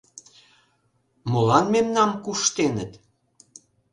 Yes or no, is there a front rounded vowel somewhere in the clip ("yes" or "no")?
no